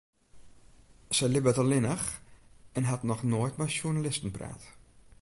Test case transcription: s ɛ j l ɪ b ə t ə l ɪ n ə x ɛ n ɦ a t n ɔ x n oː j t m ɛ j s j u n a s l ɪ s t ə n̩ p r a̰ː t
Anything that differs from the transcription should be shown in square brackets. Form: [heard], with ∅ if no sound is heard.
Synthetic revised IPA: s ɛ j l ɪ b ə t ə l ɪ n ə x ɛ n ɦ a t n ɔ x n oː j t m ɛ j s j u n a [∅] l ɪ s t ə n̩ p r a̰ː t